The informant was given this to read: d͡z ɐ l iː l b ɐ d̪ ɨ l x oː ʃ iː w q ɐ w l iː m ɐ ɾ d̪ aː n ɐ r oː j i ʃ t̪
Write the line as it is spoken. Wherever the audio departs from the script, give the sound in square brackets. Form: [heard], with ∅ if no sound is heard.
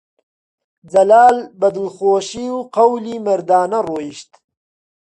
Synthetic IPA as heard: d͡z ɐ l [aː] l b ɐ d̪ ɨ l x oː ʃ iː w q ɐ w l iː m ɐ ɾ d̪ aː n ɐ r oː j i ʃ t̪